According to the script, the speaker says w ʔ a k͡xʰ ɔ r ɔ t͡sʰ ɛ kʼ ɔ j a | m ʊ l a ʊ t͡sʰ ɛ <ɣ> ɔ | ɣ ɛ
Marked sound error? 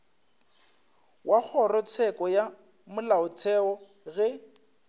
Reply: yes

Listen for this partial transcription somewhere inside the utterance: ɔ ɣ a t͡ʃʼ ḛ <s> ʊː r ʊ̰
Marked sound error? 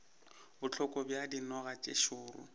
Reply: yes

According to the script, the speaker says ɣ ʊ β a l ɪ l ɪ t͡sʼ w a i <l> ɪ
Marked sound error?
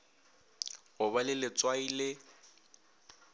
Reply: no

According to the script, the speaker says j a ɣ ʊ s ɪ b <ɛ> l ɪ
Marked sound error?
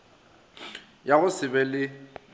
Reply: no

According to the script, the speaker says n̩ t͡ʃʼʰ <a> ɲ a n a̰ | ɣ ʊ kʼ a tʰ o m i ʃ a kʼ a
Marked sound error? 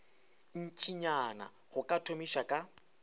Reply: yes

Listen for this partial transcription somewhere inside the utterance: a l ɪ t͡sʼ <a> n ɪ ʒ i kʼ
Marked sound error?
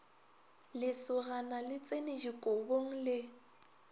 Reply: yes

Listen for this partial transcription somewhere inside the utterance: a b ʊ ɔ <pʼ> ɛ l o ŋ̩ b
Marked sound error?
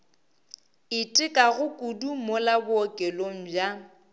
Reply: yes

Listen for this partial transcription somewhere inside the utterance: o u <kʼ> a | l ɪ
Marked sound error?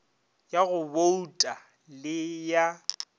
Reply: yes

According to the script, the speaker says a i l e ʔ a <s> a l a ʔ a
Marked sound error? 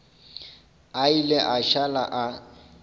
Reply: yes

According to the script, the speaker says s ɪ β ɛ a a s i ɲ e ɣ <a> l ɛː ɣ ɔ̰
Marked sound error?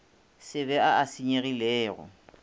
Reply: yes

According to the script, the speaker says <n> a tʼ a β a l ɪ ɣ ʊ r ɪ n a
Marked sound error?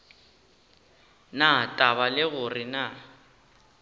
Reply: no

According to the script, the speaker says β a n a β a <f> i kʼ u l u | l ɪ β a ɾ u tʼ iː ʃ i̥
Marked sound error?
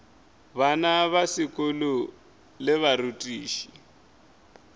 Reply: yes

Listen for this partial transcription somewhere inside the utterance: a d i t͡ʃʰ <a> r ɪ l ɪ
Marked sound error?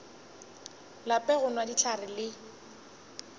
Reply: no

